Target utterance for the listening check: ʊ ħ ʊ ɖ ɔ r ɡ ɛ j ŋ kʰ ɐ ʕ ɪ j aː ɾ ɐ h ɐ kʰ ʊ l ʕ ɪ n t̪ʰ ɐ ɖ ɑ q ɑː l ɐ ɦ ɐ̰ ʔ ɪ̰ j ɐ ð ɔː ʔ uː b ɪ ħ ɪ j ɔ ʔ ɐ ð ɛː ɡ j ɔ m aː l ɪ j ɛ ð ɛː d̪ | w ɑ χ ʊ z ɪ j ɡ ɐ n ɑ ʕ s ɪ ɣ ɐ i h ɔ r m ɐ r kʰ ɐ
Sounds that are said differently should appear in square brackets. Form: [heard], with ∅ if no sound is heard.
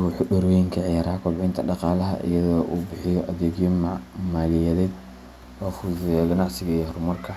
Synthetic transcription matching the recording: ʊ ħ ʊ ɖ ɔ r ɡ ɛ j ŋ kʰ ɐ ʕ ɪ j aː ɾ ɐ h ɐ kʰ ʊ l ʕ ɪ n t̪ʰ ɐ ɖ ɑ q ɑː l ɐ ɦ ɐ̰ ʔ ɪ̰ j ɐ ð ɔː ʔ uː b ɪ ħ ɪ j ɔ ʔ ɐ ð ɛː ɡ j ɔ m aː l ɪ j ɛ ð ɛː d̪ | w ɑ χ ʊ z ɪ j ɡ ɐ n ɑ ʕ s ɪ ɣ ɐ i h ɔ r m ɐ r kʰ ɐ